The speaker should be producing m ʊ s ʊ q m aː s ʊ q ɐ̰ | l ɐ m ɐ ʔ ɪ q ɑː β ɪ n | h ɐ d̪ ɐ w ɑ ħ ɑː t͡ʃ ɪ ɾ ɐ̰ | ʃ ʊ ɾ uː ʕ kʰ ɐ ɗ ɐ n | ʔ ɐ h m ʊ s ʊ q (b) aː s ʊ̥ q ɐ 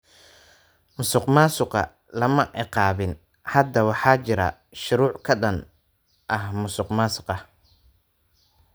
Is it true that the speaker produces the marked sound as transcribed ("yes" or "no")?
no